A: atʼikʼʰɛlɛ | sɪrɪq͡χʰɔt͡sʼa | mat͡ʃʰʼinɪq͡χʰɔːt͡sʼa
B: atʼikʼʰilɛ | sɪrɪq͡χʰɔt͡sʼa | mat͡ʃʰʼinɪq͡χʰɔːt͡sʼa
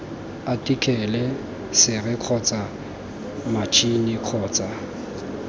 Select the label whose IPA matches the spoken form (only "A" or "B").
A